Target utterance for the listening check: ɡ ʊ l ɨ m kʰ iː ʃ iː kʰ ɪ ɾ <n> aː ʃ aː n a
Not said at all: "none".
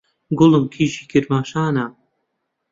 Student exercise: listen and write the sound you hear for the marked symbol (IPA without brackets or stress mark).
m